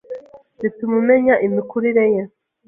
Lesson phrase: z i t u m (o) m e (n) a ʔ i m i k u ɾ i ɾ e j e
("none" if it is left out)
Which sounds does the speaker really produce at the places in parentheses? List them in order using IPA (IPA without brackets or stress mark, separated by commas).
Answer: u, ɲ